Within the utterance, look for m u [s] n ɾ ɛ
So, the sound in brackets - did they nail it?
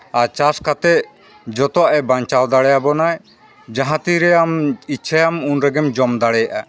no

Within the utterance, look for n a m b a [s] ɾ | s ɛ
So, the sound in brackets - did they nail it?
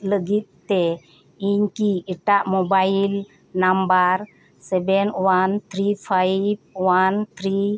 no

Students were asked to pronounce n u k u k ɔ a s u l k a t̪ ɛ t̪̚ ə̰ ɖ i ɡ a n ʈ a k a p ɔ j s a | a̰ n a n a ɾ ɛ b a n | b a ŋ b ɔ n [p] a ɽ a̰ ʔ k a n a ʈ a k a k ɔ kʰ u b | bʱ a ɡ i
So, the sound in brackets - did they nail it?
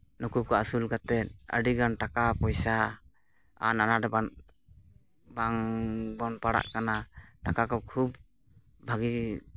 yes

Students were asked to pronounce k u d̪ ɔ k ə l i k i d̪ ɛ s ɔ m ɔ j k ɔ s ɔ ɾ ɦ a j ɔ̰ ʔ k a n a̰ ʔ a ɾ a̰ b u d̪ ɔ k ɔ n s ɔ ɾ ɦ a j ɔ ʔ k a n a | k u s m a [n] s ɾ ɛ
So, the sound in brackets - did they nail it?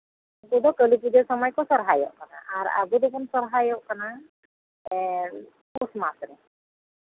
no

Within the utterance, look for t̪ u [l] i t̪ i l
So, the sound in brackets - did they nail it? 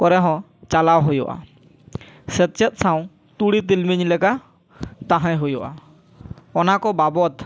no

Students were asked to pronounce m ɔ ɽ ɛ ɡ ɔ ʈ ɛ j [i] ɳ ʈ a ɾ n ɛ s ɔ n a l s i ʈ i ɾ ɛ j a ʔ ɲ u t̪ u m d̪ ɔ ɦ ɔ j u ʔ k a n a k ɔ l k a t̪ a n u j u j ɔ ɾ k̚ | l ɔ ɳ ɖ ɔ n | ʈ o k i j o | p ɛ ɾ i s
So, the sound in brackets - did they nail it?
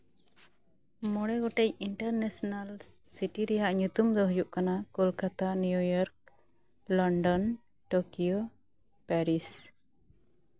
yes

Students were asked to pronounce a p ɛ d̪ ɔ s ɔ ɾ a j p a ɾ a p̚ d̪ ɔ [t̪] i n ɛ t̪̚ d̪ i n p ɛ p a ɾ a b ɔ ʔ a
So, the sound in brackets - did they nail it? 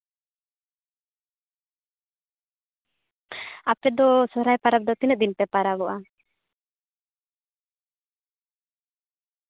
yes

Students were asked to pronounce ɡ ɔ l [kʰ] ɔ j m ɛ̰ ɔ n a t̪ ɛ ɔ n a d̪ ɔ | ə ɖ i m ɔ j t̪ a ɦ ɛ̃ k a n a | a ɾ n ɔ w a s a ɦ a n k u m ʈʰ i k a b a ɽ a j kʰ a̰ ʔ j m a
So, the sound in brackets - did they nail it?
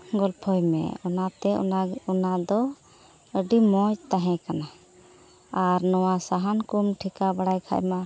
no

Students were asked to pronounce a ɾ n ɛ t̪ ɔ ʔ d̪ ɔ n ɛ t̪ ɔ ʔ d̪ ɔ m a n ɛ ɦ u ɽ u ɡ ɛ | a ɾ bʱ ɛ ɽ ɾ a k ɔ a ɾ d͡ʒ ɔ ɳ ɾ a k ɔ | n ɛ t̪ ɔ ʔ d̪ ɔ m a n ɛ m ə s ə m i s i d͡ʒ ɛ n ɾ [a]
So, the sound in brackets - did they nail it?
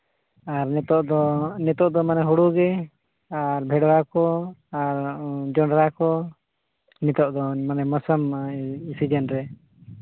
no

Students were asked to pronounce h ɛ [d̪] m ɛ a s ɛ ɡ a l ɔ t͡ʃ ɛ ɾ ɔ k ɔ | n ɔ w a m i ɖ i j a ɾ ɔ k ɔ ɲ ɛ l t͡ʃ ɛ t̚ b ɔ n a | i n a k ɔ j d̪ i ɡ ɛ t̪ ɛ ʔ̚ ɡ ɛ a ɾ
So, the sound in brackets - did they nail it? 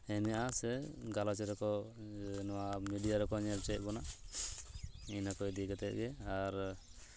no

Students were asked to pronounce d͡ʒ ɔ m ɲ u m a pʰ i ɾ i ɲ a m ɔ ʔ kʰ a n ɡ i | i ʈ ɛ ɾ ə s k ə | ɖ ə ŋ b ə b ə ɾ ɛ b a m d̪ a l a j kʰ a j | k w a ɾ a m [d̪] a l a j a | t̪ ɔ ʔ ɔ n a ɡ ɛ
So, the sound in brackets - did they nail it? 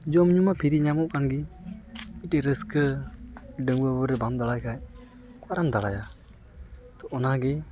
yes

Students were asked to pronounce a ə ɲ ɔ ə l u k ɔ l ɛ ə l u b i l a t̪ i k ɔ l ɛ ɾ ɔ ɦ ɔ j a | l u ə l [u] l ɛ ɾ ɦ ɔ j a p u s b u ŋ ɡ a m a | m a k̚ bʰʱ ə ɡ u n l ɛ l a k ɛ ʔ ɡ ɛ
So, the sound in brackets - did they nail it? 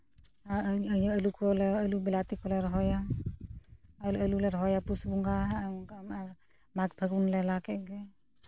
yes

